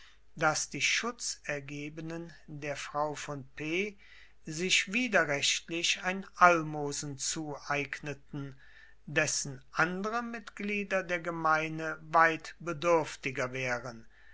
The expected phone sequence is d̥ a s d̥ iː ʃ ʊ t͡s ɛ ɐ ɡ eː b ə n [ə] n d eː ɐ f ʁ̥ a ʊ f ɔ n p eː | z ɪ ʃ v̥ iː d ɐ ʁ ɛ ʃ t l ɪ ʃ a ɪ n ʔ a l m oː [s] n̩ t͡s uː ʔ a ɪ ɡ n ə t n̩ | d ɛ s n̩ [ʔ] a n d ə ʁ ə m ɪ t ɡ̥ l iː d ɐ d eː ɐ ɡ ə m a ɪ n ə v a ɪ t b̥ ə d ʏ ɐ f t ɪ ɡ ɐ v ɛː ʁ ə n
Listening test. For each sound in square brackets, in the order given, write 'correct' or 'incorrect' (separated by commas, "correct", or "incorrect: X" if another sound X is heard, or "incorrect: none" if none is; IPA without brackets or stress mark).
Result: correct, incorrect: z, correct